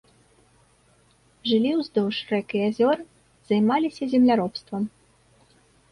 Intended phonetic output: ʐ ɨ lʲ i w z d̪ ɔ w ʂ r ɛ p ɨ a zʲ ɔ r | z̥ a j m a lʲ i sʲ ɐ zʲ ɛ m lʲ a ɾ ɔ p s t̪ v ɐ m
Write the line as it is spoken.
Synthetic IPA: ʐ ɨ lʲ i w z d̪ ɔ w ʂ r ɛ k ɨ a zʲ ɔ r | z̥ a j m a lʲ i sʲ ɐ zʲ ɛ m lʲ a ɾ ɔ p s t̪ v ɐ m

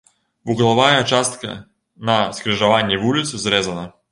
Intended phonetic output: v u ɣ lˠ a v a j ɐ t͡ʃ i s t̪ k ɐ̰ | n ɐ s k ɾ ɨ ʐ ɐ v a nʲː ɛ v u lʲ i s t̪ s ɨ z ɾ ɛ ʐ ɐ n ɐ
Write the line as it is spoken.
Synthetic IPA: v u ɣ lˠ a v a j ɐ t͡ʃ a s t̪ k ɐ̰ | n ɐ s k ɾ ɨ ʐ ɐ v a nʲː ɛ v u lʲ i t̪ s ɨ z ɾ ɛ z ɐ n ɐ

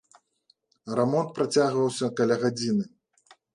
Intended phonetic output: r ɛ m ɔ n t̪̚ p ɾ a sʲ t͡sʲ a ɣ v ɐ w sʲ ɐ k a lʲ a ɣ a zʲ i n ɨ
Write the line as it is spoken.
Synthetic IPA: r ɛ m ɔ n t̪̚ p ɾ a t͡sʲ a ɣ v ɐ w sʲ ɐ k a lʲ a ɣ a d͡zʲ i n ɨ

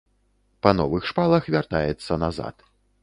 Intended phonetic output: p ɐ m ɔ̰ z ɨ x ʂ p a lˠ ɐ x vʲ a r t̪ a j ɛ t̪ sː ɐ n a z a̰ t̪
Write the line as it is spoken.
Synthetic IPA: p ɐ n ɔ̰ v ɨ x ʂ p a lˠ ɐ x vʲ a r t̪ a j ɛ t̪ sː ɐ n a z a̰ t̪

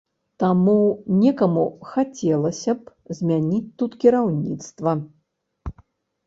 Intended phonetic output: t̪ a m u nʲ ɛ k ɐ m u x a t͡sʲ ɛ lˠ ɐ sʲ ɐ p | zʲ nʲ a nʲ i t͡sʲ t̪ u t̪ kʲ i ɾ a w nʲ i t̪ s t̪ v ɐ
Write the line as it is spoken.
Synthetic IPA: t̪ a m u nʲ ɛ k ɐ m u x a t͡sʲ ɛ lˠ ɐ sʲ ɐ p | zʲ mʲ a nʲ i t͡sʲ t̪ u t̪ kʲ i ɾ a w nʲ i t̪ s t̪ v ɐ

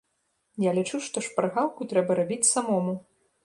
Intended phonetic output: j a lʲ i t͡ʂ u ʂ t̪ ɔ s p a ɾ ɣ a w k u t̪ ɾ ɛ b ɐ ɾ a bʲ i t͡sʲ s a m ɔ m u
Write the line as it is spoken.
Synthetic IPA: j a lʲ i t͡ʂ u ʂ t̪ ɔ ʂ p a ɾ ɣ a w k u t̪ ɾ ɛ b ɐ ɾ a bʲ i t͡sʲ s a m ɔ m u

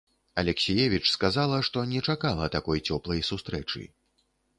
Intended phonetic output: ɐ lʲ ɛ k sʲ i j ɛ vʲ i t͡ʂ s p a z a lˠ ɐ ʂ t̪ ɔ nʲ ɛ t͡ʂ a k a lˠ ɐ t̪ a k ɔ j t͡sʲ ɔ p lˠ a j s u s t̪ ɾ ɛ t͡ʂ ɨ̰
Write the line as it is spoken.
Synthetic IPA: ɐ lʲ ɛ k sʲ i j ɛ vʲ i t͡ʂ s k a z a lˠ ɐ ʂ t̪ ɔ nʲ ɛ t͡ʂ a k a lˠ ɐ t̪ a k ɔ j t͡sʲ ɔ p lˠ ɐ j s u s t̪ ɾ ɛ t͡ʂ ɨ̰

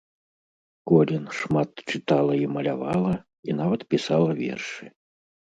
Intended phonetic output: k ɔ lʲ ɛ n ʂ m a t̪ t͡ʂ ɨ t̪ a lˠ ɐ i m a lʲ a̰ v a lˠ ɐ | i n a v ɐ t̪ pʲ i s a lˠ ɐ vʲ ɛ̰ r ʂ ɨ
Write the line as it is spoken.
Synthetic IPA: k ɔ lʲ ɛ n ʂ m a t̪ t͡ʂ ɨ t̪ a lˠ ɐ i m ɐ lʲ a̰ v a lˠ ɐ | i n a v ɐ t̪ pʲ i s a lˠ ɐ vʲ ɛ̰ r ʂ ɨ

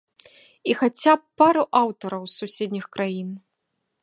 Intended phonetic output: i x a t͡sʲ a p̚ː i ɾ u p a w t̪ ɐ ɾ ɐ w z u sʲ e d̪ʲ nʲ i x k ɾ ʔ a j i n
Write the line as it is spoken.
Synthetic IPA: i x a t͡sʲ a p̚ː a ɾ u ʔ a w t̪ ɐ ɾ ɐ w s u sʲ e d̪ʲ nʲ i x k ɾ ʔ a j i n

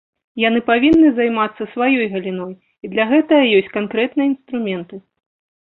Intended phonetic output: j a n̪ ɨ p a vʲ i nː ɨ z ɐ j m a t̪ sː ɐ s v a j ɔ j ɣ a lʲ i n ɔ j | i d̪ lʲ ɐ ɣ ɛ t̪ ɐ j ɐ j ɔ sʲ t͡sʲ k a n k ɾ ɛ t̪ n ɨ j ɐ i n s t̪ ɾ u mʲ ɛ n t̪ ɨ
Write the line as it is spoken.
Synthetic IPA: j a n̪ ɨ p a vʲ i nː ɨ z a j m a t̪ sː ɐ s v a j ɔ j ɣ ɐ lʲ i n ɔ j | i d̪ lʲ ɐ ɣ ɛ t̪ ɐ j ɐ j ɔ sʲ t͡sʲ k a n k ɾ ɛ t̪ n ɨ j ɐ i n s t̪ ɾ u mʲ ɛ n t̪ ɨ

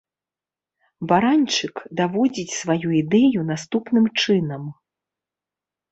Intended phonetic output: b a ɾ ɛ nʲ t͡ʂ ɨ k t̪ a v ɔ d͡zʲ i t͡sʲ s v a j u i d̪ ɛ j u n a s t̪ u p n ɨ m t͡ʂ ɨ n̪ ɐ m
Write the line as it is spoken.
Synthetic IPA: b a ɾ a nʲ t͡ʂ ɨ k d̪ a v ɔ d͡zʲ i t͡sʲ s v a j u i d̪ ɛ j u n a s t̪ u p n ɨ m t͡ʂ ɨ n̪ ɐ m

